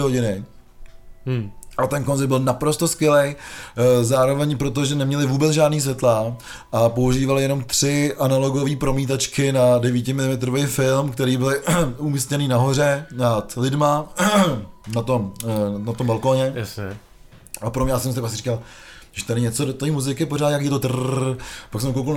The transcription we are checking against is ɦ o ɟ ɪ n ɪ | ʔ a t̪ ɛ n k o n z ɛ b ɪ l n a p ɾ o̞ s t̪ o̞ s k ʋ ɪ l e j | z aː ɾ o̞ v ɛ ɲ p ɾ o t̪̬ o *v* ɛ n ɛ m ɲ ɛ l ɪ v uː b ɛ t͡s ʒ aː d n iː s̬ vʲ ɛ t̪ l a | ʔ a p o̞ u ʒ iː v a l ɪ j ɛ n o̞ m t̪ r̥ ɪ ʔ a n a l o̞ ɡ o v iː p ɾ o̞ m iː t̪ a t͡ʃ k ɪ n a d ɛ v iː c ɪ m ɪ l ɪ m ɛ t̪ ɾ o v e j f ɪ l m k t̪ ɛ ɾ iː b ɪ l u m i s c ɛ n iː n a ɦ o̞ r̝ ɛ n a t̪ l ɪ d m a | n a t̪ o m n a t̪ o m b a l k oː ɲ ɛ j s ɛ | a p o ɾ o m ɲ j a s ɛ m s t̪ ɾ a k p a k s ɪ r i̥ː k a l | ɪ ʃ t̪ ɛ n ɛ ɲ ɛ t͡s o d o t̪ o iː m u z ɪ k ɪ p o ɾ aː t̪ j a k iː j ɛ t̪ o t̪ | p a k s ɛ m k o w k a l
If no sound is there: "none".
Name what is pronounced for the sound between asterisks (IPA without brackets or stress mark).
ʒ